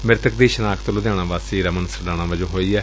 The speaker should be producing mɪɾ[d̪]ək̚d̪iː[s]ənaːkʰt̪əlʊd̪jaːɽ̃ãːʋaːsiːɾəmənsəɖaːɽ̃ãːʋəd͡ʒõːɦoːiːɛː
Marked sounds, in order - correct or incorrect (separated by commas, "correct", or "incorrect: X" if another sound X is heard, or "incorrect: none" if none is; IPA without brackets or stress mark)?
incorrect: t̪, incorrect: ʃ